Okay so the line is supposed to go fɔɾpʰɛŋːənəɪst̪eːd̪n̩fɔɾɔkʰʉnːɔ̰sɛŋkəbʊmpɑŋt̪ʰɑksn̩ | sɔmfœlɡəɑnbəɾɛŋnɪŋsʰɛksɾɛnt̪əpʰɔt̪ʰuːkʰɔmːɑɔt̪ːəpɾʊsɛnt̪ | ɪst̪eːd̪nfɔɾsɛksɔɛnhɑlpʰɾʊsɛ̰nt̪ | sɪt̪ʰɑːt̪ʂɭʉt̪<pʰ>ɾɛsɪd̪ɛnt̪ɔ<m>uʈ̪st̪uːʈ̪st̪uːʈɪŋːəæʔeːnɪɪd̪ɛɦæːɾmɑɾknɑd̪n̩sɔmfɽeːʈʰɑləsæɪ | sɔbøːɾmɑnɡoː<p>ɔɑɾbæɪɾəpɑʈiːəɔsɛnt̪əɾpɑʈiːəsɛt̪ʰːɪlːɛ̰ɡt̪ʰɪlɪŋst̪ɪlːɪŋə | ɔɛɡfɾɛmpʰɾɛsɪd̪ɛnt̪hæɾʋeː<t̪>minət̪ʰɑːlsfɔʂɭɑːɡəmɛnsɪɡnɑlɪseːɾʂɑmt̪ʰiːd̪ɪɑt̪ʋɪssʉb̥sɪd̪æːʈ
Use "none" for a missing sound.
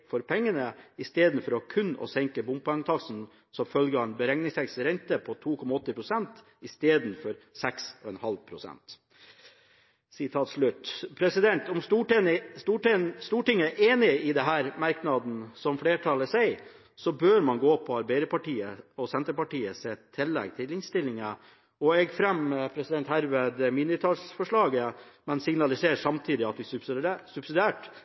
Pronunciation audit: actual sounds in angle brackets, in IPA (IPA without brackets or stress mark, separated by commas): pʰ, m, pʰ, d̪